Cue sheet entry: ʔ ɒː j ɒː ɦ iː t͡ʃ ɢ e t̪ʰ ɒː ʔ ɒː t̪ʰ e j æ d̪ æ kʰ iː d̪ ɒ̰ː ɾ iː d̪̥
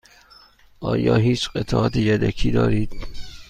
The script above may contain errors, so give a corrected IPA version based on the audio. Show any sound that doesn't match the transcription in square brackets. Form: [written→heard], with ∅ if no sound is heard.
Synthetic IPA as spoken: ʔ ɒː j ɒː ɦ iː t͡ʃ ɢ e t̪ʰ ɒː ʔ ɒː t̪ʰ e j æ d̪ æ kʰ iː d̪ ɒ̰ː ɾ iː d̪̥